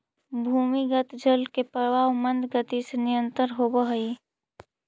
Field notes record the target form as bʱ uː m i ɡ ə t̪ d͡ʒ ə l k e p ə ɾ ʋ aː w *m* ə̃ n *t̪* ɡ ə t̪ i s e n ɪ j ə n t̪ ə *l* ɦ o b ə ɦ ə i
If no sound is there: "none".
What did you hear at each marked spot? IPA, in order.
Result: m, d̪, ɾ

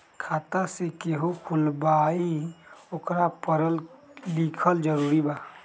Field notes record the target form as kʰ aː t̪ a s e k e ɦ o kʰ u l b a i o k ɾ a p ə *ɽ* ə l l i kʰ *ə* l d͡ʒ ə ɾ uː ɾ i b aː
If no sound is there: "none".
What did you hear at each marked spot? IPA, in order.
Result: ɾ, ə

